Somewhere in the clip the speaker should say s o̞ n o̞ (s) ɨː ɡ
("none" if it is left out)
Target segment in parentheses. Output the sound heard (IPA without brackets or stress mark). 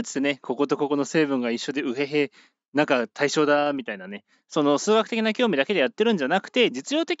s